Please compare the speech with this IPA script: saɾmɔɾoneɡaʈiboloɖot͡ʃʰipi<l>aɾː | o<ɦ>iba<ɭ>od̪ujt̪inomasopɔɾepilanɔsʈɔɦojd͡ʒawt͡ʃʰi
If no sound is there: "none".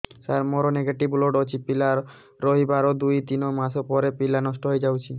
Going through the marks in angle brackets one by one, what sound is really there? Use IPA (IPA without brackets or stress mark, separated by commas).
l, ɦ, ɾ